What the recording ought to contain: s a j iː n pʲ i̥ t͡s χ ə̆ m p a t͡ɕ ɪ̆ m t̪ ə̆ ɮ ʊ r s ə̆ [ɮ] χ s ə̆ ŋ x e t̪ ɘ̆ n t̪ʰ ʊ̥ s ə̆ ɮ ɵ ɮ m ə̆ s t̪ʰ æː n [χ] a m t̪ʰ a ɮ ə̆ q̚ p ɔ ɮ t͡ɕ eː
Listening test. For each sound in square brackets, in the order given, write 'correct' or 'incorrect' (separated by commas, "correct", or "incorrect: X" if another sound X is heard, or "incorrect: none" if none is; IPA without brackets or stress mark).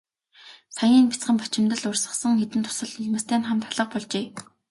incorrect: none, correct